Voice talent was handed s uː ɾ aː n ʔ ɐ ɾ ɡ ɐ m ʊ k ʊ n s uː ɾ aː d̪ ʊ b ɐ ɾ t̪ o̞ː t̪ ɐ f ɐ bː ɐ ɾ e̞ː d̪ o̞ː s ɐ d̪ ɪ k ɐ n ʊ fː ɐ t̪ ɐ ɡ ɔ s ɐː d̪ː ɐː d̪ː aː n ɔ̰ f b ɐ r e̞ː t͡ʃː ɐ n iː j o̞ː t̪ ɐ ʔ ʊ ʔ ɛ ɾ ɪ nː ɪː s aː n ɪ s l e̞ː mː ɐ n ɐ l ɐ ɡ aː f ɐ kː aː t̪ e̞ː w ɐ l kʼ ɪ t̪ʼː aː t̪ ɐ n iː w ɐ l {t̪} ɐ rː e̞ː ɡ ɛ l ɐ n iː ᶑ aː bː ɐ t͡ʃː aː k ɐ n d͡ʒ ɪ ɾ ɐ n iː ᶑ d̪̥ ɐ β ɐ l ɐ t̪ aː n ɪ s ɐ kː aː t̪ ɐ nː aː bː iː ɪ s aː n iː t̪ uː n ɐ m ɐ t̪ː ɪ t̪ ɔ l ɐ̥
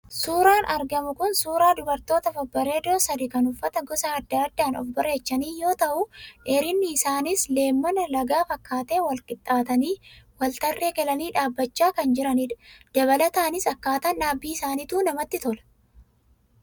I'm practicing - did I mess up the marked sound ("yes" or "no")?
no